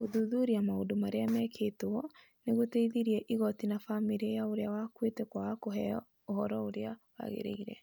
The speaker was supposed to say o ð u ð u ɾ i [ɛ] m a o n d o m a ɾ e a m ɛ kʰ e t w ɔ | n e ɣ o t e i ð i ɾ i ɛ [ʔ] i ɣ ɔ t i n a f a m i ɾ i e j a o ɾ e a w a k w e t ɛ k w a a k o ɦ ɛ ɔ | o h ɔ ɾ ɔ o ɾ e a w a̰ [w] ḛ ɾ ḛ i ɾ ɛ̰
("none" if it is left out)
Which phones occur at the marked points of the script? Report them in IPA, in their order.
a, ʔ, ɣ

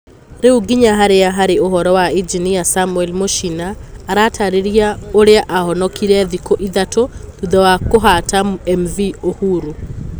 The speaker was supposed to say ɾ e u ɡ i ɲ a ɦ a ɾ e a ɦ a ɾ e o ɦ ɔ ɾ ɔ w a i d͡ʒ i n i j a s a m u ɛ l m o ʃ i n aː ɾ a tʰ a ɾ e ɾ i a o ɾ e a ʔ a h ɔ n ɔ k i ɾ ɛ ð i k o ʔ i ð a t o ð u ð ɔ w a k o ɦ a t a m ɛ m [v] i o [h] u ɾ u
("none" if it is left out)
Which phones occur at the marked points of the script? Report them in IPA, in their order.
v, h

